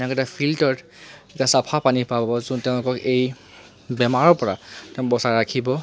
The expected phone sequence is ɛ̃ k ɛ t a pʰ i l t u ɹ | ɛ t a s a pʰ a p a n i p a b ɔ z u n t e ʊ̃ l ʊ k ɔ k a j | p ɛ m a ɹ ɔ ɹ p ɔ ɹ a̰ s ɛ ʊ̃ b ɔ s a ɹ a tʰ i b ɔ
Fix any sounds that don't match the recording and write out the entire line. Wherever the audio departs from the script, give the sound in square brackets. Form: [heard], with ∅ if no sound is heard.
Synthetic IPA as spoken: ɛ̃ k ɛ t a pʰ i l t [ɔ] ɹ | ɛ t a s a pʰ a p a n i p a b ɔ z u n t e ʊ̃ l ʊ k ɔ k [e] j | [b] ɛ m a ɹ ɔ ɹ p ɔ ɹ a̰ [t] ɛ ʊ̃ b ɔ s a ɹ a [kʰ] i b ɔ